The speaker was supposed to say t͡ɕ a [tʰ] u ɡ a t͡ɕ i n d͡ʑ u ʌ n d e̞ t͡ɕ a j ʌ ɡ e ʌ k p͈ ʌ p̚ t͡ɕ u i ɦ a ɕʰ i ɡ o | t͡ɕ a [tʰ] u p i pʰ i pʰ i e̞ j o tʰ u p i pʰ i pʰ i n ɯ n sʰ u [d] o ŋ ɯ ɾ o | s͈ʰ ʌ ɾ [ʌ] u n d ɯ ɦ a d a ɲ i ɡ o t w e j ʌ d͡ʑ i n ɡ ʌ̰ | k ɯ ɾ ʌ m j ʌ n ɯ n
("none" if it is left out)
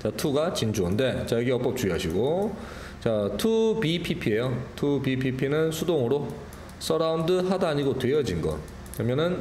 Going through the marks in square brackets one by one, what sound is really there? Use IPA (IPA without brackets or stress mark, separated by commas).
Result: tʰ, tʰ, d, a